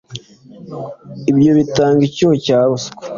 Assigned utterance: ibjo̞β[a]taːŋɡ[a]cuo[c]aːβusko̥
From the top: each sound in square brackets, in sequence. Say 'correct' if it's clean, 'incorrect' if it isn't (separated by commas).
incorrect, incorrect, correct